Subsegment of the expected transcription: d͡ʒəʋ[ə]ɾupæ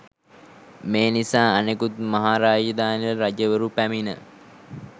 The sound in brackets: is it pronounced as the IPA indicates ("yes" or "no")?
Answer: yes